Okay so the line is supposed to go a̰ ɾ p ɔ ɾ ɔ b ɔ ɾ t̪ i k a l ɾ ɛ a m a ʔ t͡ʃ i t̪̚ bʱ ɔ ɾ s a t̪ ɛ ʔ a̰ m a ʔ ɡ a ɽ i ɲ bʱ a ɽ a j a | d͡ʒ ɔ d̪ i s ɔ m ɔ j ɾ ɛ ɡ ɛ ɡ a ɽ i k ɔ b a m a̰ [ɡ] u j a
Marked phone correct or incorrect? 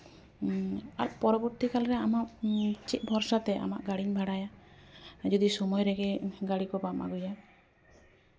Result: correct